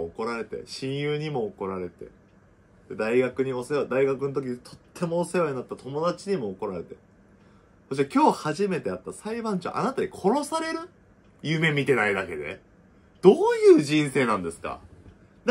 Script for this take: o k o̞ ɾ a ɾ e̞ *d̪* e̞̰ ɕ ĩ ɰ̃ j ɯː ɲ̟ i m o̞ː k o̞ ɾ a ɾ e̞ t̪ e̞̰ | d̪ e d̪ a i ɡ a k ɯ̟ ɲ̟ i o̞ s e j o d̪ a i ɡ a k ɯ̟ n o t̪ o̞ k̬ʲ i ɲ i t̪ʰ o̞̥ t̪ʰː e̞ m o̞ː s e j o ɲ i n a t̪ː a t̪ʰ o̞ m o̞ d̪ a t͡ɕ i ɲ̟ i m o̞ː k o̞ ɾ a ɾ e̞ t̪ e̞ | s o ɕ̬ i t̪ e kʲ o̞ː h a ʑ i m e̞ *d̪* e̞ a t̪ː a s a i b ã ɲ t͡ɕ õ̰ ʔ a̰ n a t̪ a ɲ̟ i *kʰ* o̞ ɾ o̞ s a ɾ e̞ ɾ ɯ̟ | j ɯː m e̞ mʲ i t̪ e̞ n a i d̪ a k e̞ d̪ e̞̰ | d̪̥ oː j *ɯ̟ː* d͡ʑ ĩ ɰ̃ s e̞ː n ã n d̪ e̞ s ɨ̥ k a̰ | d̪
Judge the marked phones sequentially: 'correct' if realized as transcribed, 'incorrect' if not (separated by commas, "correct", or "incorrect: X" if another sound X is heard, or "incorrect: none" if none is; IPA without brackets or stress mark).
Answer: incorrect: t̪, incorrect: t̪, correct, correct